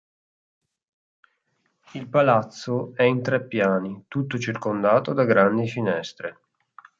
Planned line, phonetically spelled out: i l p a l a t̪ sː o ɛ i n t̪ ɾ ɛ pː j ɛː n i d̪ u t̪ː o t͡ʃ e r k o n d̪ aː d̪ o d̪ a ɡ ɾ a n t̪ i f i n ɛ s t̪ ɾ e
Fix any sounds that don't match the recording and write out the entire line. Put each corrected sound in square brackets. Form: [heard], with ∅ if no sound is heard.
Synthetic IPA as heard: i l p a l a t̪ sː o ɛ i n t̪ ɾ ɛ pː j [aː] n i [t̪] u t̪ː o t͡ʃ [i] r k o n d̪ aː [t̪] o d̪ a ɡ ɾ a n [d̪] i f i n ɛ s t̪ ɾ e